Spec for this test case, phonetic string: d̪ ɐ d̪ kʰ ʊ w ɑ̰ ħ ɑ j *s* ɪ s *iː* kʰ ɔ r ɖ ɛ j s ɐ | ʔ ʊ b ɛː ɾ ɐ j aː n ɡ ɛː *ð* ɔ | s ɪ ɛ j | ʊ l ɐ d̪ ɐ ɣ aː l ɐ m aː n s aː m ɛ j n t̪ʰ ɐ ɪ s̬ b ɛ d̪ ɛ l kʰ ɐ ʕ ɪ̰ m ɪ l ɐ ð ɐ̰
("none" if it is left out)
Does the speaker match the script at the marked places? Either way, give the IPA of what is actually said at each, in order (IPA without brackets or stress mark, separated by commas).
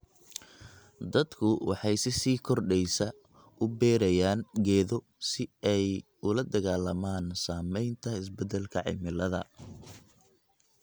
s, iː, ð